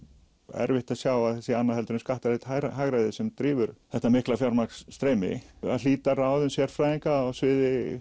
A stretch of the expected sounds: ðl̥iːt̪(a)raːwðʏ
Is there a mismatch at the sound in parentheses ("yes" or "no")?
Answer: no